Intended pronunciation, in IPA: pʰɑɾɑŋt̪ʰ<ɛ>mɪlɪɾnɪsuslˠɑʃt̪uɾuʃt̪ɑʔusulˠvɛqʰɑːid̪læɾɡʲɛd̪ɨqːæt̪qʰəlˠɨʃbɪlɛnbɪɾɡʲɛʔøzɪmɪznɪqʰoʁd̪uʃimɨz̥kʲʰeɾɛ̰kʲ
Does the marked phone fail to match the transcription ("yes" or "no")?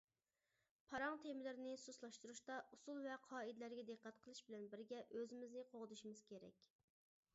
yes